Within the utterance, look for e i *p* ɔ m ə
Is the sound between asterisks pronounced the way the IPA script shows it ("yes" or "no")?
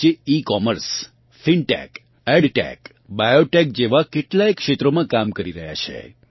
no